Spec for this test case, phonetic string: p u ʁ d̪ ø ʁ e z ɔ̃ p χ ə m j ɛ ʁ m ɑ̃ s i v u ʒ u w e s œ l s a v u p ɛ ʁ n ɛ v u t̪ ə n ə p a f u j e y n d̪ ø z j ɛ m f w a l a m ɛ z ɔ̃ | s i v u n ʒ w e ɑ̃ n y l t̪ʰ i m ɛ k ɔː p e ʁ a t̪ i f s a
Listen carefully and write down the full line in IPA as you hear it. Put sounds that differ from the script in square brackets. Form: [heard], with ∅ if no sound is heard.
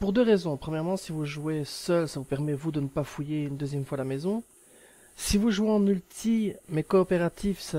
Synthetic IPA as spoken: p u ʁ d̪ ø ʁ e z ɔ̃ p χ ə m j ɛ ʁ m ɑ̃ s i v u ʒ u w e s œ l s a v u p ɛ ʁ [m] ɛ v u [d̪] ə n ə p a f u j e y n d̪ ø z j ɛ m f w a l a m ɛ z ɔ̃ | s i v u [∅] ʒ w e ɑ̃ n y l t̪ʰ i m ɛ k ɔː p e ʁ a t̪ i f s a